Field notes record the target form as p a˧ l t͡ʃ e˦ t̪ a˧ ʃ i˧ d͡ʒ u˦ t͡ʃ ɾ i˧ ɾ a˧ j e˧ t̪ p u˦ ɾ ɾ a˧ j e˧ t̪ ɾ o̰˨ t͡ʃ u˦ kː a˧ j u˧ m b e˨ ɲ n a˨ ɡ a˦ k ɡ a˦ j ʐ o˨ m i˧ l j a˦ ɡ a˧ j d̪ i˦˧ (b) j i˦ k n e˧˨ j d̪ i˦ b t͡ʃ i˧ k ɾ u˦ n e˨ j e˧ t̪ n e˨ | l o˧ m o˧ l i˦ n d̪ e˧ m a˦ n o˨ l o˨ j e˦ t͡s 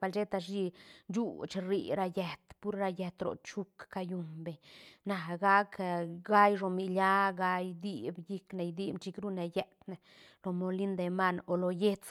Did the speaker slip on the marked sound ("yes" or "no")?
no